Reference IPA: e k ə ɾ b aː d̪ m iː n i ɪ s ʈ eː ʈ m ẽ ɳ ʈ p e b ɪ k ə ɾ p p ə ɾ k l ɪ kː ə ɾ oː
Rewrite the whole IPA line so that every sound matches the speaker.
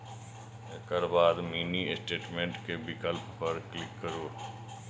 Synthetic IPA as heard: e k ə ɾ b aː d̪ m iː n i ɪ s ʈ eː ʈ m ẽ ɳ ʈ k e b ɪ k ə l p p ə ɾ k l ɪ kː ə ɾ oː